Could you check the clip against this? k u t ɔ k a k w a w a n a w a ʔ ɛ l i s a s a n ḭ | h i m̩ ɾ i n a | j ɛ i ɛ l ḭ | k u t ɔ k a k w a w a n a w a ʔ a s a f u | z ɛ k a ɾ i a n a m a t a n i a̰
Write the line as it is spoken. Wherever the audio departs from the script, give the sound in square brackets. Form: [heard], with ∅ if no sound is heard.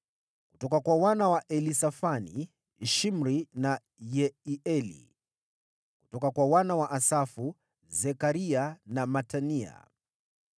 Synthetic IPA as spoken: k u t ɔ k a k w a w a n a w a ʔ ɛ l i s a [f] a n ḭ | [ʃ] i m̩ ɾ i n a | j ɛ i ɛ l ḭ | k u t ɔ k a k w a w a n a w a ʔ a s a f u | z ɛ k a ɾ i a n a m a t a n i a̰

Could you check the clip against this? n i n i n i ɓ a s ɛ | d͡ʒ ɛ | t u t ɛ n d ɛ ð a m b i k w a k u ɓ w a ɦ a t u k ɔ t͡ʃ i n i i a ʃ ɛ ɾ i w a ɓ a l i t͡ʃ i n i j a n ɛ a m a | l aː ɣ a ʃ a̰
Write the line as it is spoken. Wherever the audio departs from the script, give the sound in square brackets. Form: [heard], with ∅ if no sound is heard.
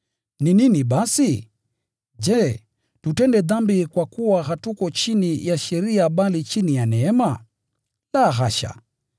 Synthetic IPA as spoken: n i n i n i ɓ a s [i] | d͡ʒ ɛ | t u t ɛ n d ɛ ð a m b i k w a k u [∅] w a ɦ a t u k ɔ t͡ʃ i n i [j] a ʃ ɛ ɾ i [∅] a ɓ a l i t͡ʃ i n i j a n ɛ [ɛ] m a | l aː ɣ a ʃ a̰

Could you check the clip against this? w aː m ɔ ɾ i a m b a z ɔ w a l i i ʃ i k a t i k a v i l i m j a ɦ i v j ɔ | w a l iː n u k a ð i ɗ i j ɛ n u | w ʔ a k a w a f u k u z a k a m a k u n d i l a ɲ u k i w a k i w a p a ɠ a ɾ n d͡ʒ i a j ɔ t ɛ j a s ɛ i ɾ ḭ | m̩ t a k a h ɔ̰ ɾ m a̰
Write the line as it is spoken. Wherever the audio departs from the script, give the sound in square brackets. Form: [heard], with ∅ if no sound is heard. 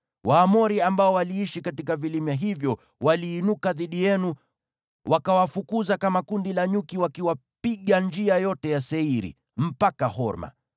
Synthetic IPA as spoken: w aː m ɔ ɾ i a m b a [∅] ɔ w a l i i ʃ i k a t i k a v i l i m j a ɦ i v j ɔ | w a l iː n u k a ð i ɗ i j ɛ n u | w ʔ a k a w a f u k u z a k a m a k u n d i l a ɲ u k i w a k i w a p [i] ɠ a [∅] n d͡ʒ i a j ɔ t ɛ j a s ɛ i ɾ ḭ | m̩ [p] a k a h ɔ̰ ɾ m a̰

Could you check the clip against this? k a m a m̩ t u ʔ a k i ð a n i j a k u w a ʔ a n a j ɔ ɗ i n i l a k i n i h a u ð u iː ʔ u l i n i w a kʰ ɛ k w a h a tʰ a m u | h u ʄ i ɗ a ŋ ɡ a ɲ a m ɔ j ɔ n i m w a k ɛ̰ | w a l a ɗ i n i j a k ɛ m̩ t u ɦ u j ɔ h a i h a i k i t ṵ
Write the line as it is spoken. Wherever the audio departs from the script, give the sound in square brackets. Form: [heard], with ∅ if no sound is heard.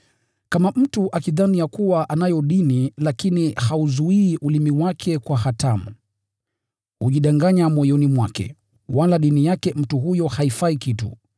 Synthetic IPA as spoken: k a m a m̩ t u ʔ a k i ð a n i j a k u w a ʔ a n a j ɔ ɗ i n i l a k i n i h a u [z] u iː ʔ u l i [m] i w a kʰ ɛ k w a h a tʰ a m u | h u ʄ i ɗ a ŋ ɡ a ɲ a m ɔ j ɔ n i m w a k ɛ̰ | w a l a ɗ i n i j a k ɛ m̩ t u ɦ u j ɔ h a i [f] a i k i t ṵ

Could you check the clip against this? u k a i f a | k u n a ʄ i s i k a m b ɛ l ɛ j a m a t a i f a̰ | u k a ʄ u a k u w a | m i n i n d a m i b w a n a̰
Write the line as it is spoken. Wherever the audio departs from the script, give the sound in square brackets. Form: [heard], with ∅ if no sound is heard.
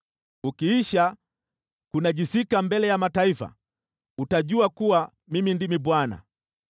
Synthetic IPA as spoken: u k [i] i [ʃ] a | k u n a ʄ i s i k a m b ɛ l ɛ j a m a t a i f a̰ | u [t] a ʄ u a k u w a | m i [m] i n d [i] m i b w a n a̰

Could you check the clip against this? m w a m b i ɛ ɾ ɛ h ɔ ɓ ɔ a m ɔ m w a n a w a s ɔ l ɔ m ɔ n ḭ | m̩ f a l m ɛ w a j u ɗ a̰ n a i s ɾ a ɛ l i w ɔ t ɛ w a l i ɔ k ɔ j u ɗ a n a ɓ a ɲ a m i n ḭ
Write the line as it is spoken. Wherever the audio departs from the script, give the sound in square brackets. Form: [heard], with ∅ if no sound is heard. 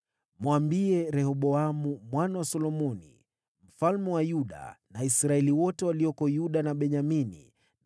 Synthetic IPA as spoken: m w a m b i ɛ ɾ ɛ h ɔ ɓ ɔ a m [u] m w a n a w a s ɔ l ɔ m ɔ n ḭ | m̩ f a l m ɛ w a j u ɗ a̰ n a i s ɾ a ɛ l i w ɔ t ɛ w a l i ɔ k ɔ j u ɗ a n a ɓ [ɛ] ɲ a m i n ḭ

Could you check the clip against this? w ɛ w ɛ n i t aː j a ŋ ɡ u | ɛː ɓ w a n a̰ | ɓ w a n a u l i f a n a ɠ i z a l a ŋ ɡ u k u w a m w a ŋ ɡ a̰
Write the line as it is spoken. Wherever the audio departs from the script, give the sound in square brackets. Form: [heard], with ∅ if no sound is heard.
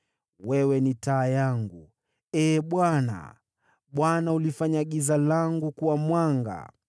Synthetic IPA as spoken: w ɛ w ɛ n i t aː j a ŋ ɡ u | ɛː ɓ w a n a̰ | ɓ w a n a u l i f a [ɲ] a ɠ i z a l a ŋ ɡ u k u w a m w a ŋ ɡ a̰

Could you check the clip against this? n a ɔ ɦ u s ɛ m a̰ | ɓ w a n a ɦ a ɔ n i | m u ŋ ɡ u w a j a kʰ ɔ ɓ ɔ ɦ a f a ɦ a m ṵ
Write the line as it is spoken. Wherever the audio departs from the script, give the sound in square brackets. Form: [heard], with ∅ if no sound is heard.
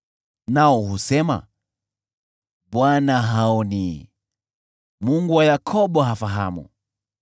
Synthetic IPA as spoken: n a ɔ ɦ u s ɛ m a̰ | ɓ w a n a ɦ a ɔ n i | m u ŋ ɡ u w a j a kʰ ɔ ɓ ɔ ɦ a f a ɦ a m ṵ

